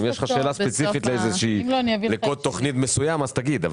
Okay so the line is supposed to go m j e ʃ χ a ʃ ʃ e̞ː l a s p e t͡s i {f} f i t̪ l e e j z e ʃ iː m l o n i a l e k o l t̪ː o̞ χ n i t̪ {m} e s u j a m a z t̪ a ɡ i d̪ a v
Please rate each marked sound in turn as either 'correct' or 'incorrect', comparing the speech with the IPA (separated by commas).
correct, correct